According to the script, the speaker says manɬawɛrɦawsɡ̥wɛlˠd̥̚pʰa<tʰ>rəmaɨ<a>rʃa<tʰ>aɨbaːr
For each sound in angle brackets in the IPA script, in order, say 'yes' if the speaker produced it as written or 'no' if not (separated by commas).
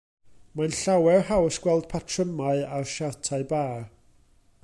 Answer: yes, yes, yes